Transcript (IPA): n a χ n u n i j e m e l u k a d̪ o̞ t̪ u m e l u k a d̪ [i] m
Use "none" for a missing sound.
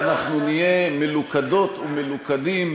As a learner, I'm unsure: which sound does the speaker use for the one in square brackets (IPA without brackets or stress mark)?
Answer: i